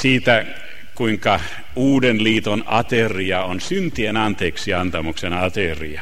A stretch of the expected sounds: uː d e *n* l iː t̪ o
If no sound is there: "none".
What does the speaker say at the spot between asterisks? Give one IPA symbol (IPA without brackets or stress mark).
n